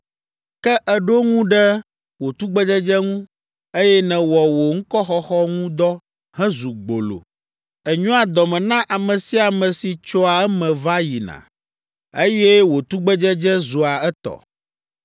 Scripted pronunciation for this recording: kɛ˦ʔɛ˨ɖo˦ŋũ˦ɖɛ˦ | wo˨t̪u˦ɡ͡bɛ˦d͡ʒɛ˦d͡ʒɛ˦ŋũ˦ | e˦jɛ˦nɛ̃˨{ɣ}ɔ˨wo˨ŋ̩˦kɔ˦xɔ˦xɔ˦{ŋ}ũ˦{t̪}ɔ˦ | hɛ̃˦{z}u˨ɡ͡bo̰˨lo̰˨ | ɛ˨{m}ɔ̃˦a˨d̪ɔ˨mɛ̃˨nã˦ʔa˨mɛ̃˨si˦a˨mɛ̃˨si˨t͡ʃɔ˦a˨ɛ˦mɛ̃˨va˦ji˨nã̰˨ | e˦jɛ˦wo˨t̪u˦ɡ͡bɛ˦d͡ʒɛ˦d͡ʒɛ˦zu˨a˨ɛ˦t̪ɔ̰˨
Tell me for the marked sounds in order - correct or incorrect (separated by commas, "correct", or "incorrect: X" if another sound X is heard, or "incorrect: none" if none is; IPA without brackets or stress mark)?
incorrect: w, correct, incorrect: d̪, correct, incorrect: ɲ